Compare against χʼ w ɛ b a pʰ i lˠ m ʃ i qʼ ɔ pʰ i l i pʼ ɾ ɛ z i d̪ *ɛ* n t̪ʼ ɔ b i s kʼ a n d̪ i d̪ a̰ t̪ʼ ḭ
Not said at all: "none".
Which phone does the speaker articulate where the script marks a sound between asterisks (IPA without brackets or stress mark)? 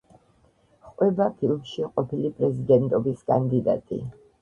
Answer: ɛ